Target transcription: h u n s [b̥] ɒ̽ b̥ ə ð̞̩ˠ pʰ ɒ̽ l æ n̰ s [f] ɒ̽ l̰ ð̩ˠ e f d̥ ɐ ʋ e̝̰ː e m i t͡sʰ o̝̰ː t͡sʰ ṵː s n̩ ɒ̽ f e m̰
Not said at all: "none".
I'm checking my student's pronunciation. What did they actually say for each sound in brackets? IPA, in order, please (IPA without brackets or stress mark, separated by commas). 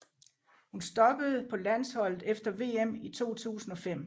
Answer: d̥, h